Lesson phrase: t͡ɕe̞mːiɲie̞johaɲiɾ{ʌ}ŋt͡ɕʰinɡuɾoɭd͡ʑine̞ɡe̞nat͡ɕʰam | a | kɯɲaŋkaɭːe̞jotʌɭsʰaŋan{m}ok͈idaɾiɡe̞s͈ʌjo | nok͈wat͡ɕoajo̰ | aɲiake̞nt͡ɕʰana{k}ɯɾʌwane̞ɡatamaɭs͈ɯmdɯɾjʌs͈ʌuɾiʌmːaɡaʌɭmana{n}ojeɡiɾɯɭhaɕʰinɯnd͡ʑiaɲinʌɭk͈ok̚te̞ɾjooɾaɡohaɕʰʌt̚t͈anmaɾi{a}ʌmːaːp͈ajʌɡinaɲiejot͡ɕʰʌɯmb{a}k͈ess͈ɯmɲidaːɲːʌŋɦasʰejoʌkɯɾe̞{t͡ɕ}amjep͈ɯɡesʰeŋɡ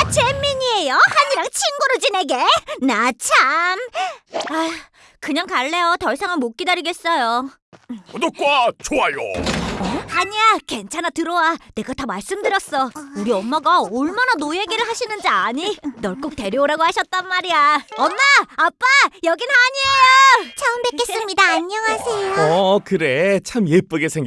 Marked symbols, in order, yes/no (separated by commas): no, yes, no, yes, yes, no, no